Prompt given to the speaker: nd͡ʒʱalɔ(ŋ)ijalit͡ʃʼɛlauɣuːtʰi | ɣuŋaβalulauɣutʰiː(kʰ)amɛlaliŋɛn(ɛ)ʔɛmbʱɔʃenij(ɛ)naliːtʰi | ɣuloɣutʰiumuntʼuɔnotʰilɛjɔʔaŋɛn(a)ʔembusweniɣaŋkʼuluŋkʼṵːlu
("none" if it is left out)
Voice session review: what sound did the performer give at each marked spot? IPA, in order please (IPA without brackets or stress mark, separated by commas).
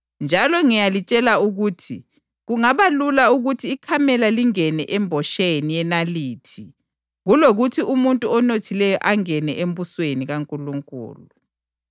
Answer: ŋ, kʰ, ɛ, ɛ, ɛ